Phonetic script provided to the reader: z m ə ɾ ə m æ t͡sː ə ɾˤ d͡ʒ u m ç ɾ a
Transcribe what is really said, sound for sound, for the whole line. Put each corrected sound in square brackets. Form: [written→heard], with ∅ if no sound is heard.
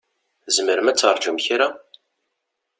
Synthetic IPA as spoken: z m ə ɾ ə m æ t͡sː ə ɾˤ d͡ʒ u m ç ɾ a